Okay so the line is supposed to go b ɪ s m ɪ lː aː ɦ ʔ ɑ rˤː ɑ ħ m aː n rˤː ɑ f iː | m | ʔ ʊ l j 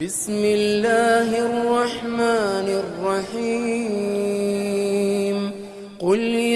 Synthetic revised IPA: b ɪ s m ɪ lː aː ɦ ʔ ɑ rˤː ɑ ħ m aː n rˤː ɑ ħ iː | m | q ʊ l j